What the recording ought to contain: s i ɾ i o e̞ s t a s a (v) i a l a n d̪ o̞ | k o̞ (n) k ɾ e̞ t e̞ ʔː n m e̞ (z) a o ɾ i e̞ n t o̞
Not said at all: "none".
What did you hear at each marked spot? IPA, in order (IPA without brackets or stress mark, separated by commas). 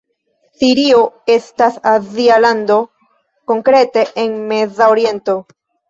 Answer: z, ŋ, z